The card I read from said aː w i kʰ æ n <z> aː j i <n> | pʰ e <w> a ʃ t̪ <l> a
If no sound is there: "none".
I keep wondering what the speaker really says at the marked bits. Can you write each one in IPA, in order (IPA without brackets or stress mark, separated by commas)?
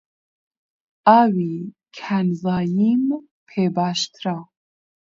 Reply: z, m, b, ɾ